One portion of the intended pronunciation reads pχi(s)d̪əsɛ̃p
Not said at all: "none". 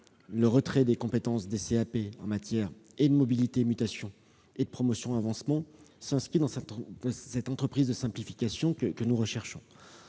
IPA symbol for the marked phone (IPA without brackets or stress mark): z